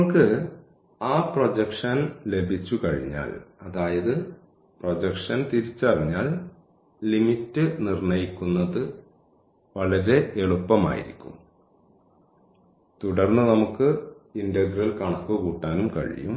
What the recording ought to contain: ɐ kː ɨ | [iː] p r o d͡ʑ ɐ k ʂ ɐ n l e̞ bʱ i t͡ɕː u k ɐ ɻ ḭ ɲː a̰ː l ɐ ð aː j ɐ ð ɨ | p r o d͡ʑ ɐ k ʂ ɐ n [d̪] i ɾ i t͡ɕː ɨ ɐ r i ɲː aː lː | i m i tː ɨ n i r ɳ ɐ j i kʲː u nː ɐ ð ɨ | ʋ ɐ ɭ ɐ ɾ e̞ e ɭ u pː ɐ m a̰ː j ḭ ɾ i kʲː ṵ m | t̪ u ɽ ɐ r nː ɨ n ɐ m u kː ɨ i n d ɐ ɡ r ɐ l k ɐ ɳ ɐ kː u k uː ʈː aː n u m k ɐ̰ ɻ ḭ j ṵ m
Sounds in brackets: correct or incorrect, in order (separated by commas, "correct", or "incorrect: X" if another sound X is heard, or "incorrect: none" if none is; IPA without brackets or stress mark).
incorrect: aː, incorrect: t̪